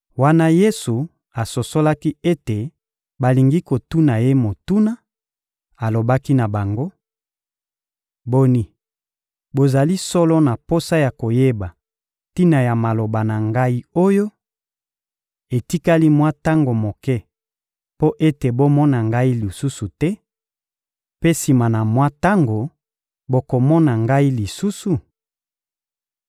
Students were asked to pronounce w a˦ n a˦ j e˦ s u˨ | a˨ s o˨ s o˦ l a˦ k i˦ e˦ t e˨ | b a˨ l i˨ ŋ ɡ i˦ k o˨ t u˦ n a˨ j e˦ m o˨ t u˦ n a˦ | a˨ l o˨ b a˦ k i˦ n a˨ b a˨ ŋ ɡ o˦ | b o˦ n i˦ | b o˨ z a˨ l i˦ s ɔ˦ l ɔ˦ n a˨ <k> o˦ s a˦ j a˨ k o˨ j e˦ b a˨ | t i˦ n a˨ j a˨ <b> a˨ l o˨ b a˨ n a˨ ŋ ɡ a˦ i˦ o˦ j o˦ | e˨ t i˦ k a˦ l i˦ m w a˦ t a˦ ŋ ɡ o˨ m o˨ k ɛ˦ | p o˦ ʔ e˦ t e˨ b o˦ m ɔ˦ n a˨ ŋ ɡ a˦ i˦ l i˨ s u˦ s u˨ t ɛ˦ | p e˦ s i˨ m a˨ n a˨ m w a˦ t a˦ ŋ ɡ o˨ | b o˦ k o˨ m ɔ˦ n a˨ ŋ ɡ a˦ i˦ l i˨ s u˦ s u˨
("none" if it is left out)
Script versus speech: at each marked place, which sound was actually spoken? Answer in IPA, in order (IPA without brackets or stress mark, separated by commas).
p, m